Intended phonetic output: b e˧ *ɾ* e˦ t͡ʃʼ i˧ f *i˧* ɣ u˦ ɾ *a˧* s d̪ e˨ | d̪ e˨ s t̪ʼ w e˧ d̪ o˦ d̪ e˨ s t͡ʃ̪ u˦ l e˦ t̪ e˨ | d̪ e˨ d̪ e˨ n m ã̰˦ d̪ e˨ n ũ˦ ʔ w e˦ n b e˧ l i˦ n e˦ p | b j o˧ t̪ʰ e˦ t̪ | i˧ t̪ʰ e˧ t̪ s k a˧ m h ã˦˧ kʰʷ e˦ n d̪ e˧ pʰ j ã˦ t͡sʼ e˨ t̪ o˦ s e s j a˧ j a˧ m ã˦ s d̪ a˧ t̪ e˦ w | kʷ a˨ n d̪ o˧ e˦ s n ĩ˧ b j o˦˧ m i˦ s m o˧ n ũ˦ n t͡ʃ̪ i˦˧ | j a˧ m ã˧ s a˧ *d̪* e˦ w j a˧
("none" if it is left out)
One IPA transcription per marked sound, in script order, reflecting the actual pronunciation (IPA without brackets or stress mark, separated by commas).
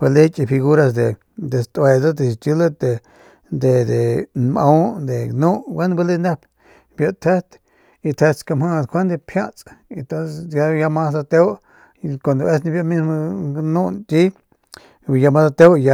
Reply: l, i˧, a˧, t̪